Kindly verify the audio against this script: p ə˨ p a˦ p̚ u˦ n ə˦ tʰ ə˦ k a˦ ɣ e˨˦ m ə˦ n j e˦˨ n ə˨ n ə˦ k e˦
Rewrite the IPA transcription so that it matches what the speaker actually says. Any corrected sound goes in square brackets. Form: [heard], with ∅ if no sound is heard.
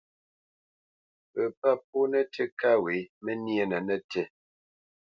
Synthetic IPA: p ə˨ p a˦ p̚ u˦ n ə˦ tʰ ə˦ k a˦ [w] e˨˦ m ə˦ n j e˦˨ n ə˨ n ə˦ [t] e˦